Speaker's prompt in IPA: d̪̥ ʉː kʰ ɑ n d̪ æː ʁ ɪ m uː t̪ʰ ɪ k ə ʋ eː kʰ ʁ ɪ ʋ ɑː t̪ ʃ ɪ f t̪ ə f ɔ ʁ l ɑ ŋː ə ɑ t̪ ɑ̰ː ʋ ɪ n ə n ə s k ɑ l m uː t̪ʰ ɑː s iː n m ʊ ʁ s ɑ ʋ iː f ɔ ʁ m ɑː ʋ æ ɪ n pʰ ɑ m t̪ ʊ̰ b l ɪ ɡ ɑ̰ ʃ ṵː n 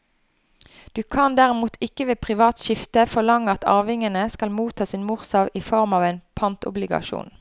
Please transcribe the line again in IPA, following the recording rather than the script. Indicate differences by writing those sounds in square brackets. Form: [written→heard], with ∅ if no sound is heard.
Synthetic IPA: d̪̥ ʉː kʰ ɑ n d̪ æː ʁ ɪ m uː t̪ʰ ɪ k ə ʋ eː [kʰ→pʰ] ʁ ɪ ʋ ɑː t̪ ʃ ɪ f t̪ ə f ɔ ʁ l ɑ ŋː ə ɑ t̪ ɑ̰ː ʋ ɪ [n→ŋ] ə n ə s k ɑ l m uː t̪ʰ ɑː s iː n m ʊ ʁ s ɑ ʋ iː f ɔ ʁ m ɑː ʋ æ ɪ n pʰ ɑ [m→n] t̪ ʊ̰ b l ɪ ɡ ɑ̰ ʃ ṵː n